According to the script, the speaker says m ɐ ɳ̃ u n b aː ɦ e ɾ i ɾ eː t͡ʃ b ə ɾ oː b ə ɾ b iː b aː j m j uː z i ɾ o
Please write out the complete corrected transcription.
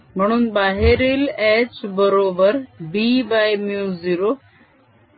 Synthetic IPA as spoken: m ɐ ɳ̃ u n b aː ɦ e ɾ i l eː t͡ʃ b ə ɾ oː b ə ɾ b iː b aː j m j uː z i ɾ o